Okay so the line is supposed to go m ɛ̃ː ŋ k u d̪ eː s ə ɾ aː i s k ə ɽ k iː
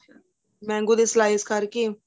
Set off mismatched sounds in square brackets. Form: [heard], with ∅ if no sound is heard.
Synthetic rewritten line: m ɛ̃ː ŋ [ɡ] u d̪ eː s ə [l] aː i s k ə [ɾ] k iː